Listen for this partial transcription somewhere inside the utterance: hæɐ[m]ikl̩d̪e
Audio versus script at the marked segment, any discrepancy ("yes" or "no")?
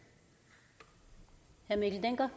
no